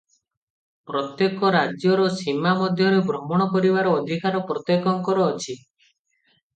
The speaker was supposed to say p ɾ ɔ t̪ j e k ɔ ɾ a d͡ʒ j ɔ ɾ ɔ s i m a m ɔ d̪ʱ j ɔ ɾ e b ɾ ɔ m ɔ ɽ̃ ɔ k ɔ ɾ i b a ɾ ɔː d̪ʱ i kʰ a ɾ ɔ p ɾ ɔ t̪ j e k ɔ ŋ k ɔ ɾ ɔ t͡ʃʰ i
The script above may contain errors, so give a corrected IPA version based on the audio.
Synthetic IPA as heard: p ɾ ɔ t̪ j e k ɔ ɾ a d͡ʒ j ɔ ɾ ɔ s i m a m ɔ d̪ʱ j ɔ ɾ e b ɾ ɔ m ɔ ɽ̃ ɔ k ɔ ɾ i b a ɾ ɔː d̪ʱ i k a ɾ ɔ p ɾ ɔ t̪ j e k ɔ ŋ k ɔ ɾ ɔː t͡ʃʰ i